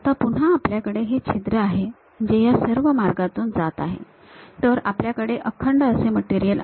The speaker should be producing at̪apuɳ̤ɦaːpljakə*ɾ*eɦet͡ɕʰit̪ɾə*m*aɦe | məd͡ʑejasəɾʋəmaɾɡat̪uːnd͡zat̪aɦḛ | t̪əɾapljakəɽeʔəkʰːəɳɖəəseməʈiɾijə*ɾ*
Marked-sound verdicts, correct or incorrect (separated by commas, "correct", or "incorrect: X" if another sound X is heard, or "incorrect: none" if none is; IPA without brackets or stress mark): incorrect: ɽ, incorrect: none, incorrect: l